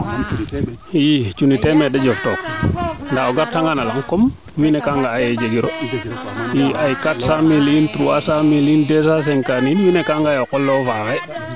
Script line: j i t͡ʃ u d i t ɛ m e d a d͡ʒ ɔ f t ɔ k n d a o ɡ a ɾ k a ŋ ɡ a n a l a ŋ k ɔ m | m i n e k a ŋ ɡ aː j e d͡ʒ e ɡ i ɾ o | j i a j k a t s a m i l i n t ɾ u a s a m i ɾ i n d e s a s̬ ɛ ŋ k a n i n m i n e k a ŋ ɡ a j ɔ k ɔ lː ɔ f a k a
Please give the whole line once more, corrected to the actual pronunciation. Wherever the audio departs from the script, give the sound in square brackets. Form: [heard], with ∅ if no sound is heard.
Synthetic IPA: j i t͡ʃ u [n] i t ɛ m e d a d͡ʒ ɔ f t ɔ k n d a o ɡ a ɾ [t] a ŋ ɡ a n a l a ŋ k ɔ m | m i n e k a ŋ ɡ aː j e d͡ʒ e ɡ i ɾ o | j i a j k a t s a m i l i n t ɾ u a s a m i [l] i n d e s a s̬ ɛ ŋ k a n i n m i n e k a ŋ ɡ a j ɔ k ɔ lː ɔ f a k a

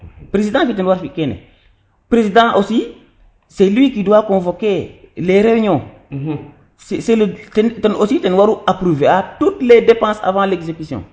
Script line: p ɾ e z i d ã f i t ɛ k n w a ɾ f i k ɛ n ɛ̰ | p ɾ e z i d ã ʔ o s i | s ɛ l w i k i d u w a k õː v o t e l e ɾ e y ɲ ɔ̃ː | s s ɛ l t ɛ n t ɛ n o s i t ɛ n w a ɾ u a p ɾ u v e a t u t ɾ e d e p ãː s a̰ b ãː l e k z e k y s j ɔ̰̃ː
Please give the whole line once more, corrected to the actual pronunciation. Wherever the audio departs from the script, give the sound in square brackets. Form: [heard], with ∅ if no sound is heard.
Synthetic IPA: p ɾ e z i d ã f i t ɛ [∅] n w a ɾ f i k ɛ n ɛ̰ | p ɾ e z i d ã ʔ o s i | s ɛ l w i k i d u w a k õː v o [k] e l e ɾ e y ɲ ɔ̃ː | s s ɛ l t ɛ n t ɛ n o s i t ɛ n w a ɾ u a p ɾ u v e a t u t [l] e d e p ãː s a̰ [v] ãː l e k z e k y s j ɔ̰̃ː

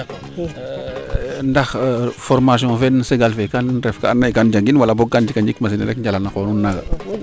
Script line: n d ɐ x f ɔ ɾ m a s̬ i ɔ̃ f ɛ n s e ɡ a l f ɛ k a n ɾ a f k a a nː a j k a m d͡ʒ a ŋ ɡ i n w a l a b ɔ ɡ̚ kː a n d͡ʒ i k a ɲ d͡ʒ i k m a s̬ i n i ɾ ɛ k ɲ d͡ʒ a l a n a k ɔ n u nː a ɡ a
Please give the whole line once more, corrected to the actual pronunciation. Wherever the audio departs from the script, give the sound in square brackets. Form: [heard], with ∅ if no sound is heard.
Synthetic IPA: n d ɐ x f ɔ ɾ m a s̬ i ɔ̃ f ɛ n s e ɡ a l f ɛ k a n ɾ [ɛ] f k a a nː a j k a [n] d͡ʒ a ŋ ɡ i n w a l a b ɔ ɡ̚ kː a n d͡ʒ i k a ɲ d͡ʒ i k m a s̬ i n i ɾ ɛ k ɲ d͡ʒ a l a n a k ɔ n u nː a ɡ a

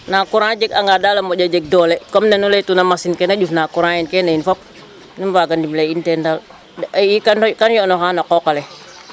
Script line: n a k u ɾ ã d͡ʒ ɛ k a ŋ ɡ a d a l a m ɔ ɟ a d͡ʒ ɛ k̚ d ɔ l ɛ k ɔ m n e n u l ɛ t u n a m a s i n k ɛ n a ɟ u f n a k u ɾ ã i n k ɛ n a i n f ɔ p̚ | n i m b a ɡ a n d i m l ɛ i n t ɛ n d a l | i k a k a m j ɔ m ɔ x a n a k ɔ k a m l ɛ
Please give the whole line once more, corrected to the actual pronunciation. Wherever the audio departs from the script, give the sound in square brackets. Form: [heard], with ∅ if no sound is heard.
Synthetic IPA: n a k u ɾ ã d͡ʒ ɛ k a ŋ ɡ a d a l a m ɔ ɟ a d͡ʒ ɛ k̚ d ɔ l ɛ k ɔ m n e n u l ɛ t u n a m a s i n k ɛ n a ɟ u f n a k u ɾ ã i n k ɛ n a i n f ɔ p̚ | n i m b a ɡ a n d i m l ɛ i n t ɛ n d a l | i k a k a [n] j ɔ [n] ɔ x a n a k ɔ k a [∅] l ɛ

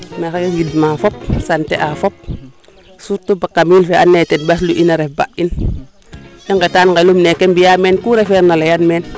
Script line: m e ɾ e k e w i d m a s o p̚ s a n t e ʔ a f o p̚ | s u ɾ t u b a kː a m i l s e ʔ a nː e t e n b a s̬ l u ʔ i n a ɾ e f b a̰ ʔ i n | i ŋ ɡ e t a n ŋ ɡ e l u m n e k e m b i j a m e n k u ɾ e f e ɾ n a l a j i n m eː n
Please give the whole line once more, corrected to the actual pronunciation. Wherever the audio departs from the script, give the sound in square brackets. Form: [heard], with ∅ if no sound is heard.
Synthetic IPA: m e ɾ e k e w i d m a [f] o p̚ s a n t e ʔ a f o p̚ | s u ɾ t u b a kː a m i l [f] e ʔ a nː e t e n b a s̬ l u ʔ i n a ɾ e f b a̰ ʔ i n | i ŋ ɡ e t a n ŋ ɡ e l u m n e k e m b i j a m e n k u ɾ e f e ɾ n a l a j [a] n m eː n

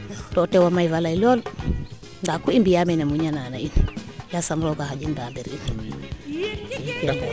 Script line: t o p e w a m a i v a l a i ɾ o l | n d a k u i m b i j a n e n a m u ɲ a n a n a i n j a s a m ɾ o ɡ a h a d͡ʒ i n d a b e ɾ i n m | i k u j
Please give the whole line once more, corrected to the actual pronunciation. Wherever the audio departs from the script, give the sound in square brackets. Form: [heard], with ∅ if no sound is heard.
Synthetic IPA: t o [t] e w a m a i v a l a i [l] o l | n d a k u i m b i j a [m] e n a m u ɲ a n a n a i n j a s a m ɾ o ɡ a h a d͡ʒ i n d a b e ɾ i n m | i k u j

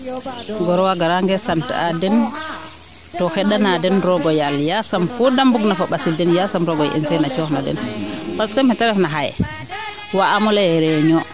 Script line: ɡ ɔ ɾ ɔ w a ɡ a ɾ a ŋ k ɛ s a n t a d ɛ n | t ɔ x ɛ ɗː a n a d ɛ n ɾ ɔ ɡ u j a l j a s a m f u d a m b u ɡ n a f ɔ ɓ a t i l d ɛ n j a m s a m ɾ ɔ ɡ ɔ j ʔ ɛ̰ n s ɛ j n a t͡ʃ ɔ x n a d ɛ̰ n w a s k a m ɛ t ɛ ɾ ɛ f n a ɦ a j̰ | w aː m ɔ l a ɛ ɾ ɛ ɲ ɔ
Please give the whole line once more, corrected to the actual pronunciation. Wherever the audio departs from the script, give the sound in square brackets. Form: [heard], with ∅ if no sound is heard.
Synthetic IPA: ɡ ɔ ɾ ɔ w a ɡ a ɾ a ŋ [ɡ] ɛ s a n t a d ɛ n | t ɔ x ɛ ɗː a n a d ɛ n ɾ ɔ ɡ [ɔ] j a l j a s a m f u d a m b u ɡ n a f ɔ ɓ a [s] i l d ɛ n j a [∅] s a m ɾ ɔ ɡ ɔ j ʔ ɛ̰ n s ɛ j n a t͡ʃ ɔ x n a d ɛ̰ n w a s k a m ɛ t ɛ ɾ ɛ f n a ɦ a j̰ | w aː m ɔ l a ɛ ɾ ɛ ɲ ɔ

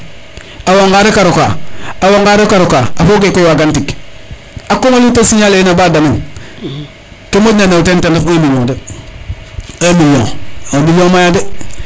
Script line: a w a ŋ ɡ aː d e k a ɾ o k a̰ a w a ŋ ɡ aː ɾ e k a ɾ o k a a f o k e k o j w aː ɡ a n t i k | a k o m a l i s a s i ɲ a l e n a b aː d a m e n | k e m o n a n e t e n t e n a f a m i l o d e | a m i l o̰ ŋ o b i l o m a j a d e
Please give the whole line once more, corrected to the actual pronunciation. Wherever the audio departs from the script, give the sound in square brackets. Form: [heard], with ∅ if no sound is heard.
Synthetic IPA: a w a ŋ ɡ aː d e k a ɾ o k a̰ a w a ŋ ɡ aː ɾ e k a ɾ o k a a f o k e k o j w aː ɡ a n t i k | a k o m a l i [t] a s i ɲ a l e n a b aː d a m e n | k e m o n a n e t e n t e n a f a m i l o d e | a m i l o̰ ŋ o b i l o m a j a d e

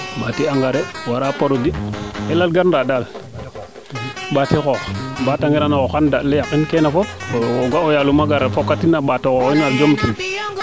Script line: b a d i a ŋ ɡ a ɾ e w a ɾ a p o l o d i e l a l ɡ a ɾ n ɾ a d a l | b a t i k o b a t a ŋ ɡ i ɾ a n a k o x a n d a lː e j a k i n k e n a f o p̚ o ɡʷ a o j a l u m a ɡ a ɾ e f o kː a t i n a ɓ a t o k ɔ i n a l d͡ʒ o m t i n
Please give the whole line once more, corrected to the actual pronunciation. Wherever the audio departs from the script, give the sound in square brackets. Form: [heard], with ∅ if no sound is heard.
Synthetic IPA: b a [t] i a ŋ ɡ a ɾ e w a ɾ a p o [ɾ] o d i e l a l ɡ a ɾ n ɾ a d a l | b a t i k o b a t a ŋ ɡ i ɾ a n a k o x a n d a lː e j a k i n k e n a f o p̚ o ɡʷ a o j a l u m a ɡ a ɾ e f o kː a t i n a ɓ a t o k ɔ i n a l d͡ʒ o m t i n

